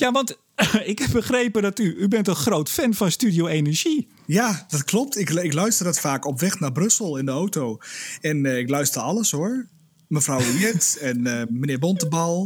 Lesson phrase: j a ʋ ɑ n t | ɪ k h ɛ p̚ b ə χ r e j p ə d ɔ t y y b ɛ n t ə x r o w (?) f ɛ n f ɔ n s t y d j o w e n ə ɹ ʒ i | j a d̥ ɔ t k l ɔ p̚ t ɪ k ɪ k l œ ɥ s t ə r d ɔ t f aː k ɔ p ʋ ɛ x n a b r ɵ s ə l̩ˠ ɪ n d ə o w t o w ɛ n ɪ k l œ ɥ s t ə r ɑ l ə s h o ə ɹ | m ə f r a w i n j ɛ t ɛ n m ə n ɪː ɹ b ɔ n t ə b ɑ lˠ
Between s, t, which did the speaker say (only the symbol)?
t